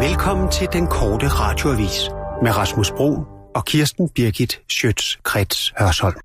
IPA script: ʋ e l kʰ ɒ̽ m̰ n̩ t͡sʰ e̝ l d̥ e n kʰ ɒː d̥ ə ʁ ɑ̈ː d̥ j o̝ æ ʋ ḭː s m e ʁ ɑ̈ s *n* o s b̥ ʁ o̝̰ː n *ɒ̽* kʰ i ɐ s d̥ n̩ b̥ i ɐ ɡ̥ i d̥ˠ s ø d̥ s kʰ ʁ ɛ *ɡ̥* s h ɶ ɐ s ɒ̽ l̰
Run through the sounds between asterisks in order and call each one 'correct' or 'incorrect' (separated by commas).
incorrect, correct, incorrect